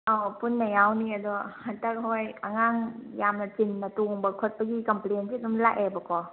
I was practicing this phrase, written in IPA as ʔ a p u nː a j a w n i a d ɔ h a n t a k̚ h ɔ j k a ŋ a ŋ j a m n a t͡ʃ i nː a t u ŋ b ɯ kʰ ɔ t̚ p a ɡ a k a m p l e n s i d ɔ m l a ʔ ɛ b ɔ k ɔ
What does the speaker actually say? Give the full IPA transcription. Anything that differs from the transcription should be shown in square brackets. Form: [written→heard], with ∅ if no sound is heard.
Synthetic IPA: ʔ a p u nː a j a w n i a d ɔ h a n t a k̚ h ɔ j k a ŋ a ŋ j a m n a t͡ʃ i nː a t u ŋ b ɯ kʰ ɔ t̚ p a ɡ [a→i] k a m p l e n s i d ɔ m l a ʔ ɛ b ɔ k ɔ